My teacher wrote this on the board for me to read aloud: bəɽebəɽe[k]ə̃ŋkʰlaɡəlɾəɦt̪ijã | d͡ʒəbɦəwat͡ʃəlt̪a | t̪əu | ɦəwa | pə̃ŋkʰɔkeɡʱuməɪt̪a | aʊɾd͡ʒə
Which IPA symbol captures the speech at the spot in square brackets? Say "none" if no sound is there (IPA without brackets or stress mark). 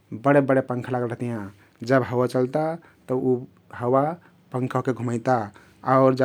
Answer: p